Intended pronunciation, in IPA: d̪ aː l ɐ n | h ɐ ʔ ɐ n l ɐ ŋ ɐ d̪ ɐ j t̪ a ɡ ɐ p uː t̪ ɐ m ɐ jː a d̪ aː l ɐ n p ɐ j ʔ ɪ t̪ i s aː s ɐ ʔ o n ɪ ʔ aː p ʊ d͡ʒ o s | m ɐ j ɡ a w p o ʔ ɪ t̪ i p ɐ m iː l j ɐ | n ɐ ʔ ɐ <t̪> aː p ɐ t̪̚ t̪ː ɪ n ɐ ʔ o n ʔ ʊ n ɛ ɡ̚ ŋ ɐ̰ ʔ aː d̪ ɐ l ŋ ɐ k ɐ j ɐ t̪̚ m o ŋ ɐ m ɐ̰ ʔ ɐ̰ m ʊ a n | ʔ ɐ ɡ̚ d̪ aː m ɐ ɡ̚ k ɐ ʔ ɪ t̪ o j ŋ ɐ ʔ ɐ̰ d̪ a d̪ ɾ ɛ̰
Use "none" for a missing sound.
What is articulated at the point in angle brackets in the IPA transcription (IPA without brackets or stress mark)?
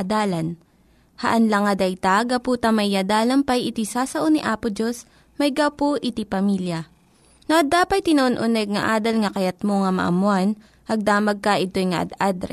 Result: d̪